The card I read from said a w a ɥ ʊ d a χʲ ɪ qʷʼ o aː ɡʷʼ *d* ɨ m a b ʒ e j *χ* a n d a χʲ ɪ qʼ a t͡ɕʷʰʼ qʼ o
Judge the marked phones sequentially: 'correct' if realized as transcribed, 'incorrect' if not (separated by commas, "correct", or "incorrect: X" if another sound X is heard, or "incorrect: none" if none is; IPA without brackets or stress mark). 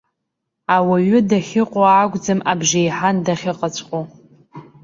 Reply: incorrect: d͡z, incorrect: ħ